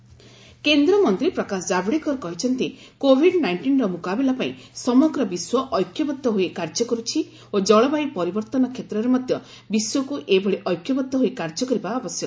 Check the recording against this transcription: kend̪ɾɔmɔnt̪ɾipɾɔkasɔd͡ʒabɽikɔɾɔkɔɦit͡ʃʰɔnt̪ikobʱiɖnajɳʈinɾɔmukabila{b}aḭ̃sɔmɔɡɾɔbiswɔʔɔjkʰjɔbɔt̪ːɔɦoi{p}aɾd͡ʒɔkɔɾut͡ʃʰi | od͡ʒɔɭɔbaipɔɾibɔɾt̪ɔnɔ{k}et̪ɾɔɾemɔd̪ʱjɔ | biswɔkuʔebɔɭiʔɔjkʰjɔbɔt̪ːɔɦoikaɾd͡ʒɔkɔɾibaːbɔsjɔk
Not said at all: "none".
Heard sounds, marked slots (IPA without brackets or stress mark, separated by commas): p, k, kʰ